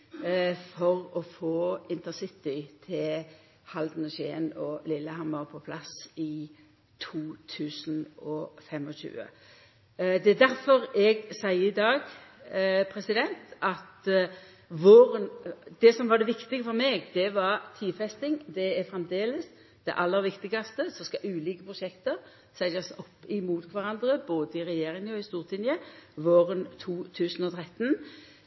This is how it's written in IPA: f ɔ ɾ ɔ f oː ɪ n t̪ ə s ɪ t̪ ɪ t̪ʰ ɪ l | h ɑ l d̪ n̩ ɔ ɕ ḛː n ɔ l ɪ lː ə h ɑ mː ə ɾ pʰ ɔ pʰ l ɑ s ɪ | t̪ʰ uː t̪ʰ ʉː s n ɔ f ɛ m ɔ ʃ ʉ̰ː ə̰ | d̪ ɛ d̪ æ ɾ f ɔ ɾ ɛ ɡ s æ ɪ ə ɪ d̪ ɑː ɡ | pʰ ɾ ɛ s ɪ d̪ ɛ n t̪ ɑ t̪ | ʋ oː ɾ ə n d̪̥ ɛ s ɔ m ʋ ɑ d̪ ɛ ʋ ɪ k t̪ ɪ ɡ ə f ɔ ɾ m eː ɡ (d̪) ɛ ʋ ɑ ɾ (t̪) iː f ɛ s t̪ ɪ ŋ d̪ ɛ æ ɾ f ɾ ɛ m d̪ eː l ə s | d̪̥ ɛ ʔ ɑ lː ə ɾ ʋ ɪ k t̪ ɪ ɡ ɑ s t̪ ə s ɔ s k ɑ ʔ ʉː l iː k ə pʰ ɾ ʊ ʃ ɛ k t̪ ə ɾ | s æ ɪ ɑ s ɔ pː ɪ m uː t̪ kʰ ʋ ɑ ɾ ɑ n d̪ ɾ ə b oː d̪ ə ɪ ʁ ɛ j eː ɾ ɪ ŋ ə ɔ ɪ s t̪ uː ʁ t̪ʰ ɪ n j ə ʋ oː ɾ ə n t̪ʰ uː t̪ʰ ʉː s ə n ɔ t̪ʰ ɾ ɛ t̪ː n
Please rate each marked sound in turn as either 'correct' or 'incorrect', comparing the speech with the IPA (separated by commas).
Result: correct, incorrect